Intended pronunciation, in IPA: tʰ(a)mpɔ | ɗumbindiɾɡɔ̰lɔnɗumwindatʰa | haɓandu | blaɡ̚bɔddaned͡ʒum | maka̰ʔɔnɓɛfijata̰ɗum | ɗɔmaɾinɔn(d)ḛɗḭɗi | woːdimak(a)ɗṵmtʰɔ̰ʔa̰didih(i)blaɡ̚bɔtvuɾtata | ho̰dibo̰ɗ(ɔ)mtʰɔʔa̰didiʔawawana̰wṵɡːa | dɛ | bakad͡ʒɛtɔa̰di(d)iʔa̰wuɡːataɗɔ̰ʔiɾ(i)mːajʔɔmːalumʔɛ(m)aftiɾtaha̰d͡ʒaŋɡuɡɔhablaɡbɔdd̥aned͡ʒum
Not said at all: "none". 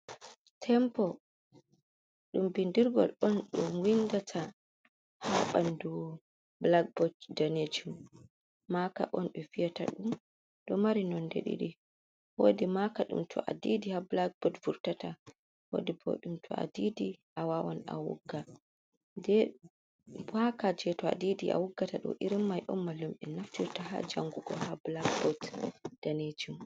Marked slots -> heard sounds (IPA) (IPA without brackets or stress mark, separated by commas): ɛ, d, a, a, u, d, i, n